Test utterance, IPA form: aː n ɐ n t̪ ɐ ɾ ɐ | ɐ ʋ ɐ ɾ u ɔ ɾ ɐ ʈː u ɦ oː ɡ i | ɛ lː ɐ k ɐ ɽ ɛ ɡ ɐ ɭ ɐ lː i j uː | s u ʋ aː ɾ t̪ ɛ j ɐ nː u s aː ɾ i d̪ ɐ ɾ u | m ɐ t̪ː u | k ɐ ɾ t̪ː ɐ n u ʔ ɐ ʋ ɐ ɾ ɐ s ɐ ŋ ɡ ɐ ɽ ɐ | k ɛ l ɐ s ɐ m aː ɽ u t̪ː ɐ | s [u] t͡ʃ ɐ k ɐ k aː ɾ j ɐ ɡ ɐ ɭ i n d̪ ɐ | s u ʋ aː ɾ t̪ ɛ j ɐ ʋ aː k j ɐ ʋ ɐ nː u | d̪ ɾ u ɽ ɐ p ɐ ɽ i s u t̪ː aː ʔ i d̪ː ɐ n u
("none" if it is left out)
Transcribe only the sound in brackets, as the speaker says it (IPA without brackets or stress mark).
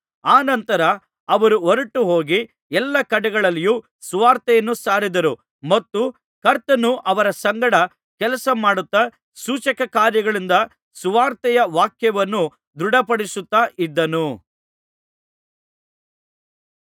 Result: uː